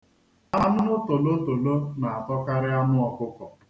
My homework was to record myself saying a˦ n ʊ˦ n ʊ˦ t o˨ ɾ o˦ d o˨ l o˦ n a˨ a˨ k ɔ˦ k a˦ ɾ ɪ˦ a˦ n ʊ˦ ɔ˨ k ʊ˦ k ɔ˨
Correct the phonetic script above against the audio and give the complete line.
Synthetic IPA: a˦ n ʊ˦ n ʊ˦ t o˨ l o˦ t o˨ l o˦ n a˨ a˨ t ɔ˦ k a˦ ɾ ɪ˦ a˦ n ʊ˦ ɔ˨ k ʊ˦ k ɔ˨